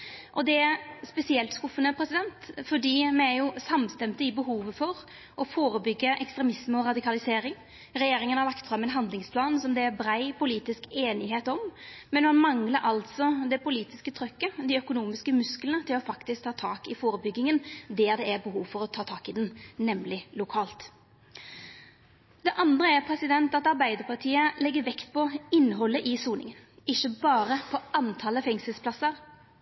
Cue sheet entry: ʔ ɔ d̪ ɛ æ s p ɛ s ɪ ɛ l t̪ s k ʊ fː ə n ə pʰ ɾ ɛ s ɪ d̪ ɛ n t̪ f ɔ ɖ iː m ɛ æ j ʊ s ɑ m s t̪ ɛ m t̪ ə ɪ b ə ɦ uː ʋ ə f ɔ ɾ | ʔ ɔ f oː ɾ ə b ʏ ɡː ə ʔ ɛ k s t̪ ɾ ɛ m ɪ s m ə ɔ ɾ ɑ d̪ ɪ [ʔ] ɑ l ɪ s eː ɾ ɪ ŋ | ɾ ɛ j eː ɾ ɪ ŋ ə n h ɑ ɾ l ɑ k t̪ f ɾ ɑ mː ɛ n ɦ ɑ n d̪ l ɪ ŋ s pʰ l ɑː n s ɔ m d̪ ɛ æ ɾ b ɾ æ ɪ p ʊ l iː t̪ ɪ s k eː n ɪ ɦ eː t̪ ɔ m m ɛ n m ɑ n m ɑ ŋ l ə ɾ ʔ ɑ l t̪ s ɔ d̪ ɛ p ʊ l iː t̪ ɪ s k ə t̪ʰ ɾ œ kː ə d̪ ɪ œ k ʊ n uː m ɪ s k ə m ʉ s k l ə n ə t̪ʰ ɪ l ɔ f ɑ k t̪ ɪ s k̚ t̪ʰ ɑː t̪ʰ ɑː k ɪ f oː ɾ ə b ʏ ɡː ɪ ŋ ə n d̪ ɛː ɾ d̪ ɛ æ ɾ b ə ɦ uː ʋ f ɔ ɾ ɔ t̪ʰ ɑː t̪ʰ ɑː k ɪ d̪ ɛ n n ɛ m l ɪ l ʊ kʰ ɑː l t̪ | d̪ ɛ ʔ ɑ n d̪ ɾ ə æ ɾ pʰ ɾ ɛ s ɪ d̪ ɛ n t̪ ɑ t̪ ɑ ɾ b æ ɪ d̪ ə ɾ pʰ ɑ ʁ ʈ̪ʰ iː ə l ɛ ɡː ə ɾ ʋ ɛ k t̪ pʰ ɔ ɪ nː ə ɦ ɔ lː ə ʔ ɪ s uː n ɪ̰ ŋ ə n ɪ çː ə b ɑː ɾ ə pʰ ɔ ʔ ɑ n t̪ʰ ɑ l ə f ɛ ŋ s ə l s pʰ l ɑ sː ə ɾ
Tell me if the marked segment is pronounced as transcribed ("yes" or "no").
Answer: no